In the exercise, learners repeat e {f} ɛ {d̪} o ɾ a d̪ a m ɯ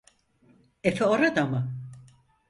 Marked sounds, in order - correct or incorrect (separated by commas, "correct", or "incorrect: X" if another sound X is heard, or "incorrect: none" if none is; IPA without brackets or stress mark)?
correct, incorrect: none